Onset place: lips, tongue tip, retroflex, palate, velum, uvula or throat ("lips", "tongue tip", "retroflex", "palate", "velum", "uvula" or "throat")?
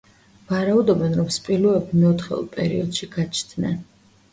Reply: lips